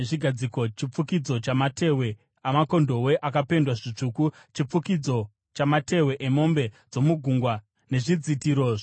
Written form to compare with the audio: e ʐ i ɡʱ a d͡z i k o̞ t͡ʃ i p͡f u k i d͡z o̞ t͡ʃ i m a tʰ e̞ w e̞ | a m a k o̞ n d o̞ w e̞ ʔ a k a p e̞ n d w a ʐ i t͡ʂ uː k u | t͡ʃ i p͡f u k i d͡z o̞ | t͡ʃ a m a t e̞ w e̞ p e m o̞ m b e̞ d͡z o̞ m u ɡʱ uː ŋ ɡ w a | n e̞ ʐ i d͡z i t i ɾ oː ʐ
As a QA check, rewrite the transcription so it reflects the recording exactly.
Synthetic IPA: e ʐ i ɡʱ a d͡z i k o̞ t͡ʃ i p͡f u k i d͡z o̞ t͡ʃ a m a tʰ e̞ w e̞ | a m a k o̞ n d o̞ w e̞ ʔ a k a p e̞ n d w a ʐ i t͡ʂ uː k u | t͡ʃ i p͡f u k i d͡z o̞ | t͡ʃ a m a t e̞ w e̞ ʔ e m o̞ m b e̞ d͡z o̞ m u ɡʱ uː ŋ ɡ w a | n e̞ ʐ i d͡z i t i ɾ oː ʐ